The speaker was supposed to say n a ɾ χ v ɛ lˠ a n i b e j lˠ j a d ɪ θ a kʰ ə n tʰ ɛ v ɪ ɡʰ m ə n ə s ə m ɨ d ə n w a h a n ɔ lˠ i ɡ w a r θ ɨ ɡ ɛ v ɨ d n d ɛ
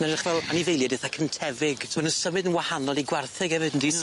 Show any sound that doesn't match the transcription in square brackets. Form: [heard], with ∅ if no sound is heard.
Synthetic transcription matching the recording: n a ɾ χ v ɛ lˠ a n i [v] e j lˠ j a d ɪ θ a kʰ ə n tʰ ɛ v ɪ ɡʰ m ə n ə s ə m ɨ d ə n w a h a n ɔ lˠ i ɡ w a r θ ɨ ɡ ɛ v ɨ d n d [i]